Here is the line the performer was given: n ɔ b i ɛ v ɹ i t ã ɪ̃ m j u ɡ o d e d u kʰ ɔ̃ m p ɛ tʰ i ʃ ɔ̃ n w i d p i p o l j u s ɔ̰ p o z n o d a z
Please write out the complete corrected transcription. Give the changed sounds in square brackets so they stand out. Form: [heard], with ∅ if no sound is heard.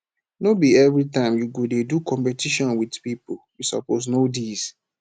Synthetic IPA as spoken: n [o] b i ɛ v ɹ i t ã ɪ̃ m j u ɡ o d e d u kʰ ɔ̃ m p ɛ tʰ i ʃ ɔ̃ n w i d p i p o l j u s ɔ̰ p o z n o d [i] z